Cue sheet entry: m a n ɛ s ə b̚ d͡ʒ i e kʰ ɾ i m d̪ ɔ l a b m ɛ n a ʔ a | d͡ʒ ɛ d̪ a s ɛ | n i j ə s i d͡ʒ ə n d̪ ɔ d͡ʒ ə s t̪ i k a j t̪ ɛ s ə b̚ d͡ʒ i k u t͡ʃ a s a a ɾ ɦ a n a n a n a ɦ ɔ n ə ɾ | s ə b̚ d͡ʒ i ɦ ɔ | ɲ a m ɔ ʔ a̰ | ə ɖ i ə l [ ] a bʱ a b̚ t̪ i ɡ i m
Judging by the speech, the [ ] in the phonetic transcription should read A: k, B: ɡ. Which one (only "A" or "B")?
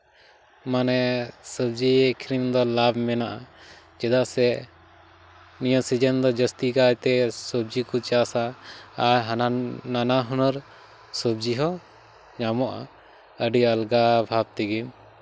B